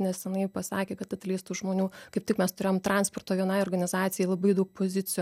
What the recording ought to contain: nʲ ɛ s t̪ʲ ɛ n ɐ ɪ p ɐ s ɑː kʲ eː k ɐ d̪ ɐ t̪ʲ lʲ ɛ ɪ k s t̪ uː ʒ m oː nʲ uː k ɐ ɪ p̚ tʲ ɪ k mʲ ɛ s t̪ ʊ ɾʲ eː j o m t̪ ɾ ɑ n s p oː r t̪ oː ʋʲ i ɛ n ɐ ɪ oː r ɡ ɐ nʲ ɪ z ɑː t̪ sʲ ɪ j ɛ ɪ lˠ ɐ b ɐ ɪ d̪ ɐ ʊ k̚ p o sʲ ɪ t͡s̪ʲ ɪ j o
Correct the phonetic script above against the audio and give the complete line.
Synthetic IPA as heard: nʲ ɛ s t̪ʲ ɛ n ɐ ɪ p ɐ s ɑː kʲ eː k ɐ t̪ ɐ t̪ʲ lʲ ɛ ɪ s t̪ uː ʒ m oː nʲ uː k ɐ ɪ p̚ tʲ ɪ k mʲ ɛ s t̪ ʊ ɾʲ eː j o m t̪ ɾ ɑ n s p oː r t̪ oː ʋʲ i ɛ n ɐ ɪ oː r ɡ ɐ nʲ ɪ z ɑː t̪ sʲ ɪ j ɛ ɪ lˠ ɐ b ɐ ɪ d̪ ɐ ʊ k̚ p o zʲ ɪ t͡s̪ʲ ɪ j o